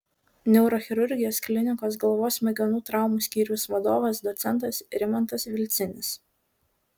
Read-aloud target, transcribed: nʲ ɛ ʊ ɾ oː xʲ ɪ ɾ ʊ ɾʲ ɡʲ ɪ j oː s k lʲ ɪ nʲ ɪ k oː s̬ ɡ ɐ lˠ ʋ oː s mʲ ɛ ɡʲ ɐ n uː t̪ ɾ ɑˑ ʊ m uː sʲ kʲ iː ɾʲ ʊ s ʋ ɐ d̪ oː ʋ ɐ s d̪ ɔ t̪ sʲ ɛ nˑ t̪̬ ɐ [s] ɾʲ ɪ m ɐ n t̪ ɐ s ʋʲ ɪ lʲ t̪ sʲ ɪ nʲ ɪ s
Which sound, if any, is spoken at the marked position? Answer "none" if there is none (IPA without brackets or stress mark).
s